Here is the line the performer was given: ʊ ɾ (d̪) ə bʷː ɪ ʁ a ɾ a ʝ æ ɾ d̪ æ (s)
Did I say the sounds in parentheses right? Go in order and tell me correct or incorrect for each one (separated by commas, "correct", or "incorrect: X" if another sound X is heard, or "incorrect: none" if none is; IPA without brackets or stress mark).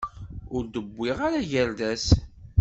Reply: correct, correct